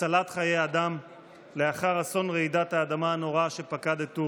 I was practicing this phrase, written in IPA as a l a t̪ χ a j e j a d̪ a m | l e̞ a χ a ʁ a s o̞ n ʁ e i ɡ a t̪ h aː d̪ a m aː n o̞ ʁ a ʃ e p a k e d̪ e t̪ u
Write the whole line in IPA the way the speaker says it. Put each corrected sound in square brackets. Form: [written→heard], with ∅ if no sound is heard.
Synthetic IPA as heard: a l a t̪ χ a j e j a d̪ a m | l e̞ a χ a ʁ a s o̞ n ʁ e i [ɡ→d] a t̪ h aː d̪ a m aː n o̞ ʁ a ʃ e p a k [e→a] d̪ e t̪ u